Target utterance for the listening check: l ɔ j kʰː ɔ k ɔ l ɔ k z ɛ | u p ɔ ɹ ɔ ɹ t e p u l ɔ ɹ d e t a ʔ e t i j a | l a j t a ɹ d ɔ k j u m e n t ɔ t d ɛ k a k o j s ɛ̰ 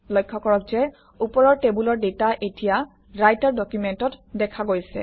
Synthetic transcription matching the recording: l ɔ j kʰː ɔ k ɔ ɹ ɔ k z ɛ | u p ɔ ɹ ɔ ɹ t e b u l ɔ ɹ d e t a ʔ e t i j a | ɹ a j t a ɹ d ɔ k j u m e n t ɔ t d ɛ kʰ a ɡ o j s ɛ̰